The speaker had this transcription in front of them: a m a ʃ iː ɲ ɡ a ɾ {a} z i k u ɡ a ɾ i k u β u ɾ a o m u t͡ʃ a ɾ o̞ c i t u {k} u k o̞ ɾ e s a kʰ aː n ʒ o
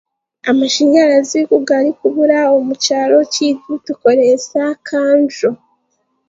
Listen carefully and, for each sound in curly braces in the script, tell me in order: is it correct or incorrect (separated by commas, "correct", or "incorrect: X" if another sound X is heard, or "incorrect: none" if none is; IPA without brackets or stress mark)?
correct, incorrect: t